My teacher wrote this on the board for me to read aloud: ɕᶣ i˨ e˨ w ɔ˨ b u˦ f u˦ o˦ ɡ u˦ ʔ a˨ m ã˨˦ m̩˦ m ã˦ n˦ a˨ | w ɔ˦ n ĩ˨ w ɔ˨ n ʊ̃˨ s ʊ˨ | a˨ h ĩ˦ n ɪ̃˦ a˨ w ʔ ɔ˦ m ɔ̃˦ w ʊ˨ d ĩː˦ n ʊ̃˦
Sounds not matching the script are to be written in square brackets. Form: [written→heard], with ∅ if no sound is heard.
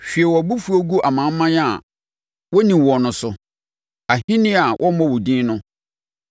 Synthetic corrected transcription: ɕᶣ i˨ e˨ w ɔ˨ b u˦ f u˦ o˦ ɡ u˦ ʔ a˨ m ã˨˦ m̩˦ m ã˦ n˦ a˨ | w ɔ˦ n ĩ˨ w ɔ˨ n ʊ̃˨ s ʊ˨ | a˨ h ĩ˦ n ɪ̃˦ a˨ w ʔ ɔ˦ m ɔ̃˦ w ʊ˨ d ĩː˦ n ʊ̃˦